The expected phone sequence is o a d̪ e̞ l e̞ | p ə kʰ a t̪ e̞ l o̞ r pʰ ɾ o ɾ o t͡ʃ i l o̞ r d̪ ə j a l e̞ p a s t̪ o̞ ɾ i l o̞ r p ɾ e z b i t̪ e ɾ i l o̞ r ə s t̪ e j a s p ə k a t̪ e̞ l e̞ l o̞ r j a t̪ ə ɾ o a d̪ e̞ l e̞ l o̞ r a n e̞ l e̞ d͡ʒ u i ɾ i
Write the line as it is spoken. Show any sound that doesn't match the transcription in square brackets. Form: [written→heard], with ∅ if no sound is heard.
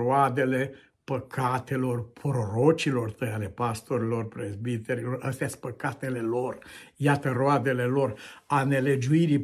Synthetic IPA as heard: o a d̪ e̞ l e̞ | p ə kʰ a t̪ e̞ l o̞ r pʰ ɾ o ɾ o t͡ʃ i l o̞ r [d̪→t̪] ə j a l e̞ p a s t̪ o̞ ɾ i l o̞ r p ɾ e z b i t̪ e ɾ i l o̞ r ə s t̪ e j a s p ə k a t̪ e̞ l e̞ l o̞ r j a t̪ ə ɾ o a d̪ e̞ l e̞ l o̞ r a n e̞ l e̞ d͡ʒ u i ɾ i